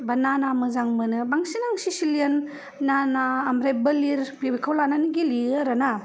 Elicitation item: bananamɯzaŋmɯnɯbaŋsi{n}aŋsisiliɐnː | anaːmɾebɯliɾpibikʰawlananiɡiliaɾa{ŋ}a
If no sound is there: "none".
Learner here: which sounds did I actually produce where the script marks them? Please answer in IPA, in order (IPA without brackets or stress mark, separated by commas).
n, n